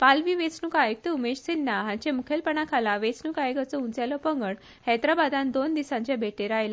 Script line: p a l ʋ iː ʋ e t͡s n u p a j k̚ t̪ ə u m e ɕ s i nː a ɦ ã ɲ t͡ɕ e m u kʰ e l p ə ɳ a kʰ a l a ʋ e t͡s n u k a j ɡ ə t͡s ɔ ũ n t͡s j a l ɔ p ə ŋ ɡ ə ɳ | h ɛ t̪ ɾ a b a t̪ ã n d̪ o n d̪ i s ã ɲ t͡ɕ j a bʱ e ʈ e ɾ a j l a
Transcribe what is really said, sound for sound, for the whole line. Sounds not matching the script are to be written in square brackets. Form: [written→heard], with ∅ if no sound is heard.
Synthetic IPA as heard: p a l ʋ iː ʋ e t͡s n u [p→k] a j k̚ t̪ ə u m e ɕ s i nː a ɦ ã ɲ t͡ɕ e m u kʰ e l p ə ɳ a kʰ a l a ʋ e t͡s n u k a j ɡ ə t͡s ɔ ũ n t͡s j a l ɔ p ə ŋ ɡ ə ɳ | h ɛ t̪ ɾ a b a [t̪→d̪] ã n d̪ o n d̪ i s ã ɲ t͡ɕ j a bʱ e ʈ e ɾ a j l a